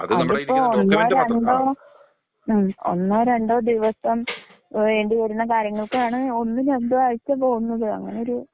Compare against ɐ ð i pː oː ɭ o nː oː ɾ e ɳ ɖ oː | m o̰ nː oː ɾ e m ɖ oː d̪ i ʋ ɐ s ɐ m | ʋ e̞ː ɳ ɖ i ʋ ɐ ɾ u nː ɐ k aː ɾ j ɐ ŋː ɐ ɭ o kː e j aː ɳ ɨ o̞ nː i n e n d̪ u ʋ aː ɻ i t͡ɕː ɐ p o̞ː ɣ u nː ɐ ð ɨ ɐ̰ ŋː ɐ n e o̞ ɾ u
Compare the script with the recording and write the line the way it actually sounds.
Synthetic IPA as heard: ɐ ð i pː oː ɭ o nː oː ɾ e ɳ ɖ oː | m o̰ nː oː ɾ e ɳ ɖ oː d̪ i ʋ ɐ s ɐ m | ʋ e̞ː ɳ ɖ i ʋ ɐ ɾ u nː ɐ k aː ɾ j ɐ ŋː ɐ ɭ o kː e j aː ɳ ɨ o̞ nː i n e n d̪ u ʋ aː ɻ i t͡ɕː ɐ p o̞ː ɣ u nː ɐ ð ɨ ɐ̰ ŋː ɐ n e o̞ ɾ u